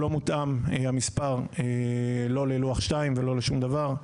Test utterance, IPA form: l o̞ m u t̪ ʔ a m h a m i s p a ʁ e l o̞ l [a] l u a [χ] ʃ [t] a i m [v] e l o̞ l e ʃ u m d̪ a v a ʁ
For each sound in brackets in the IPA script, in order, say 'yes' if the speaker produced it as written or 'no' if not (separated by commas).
no, yes, yes, yes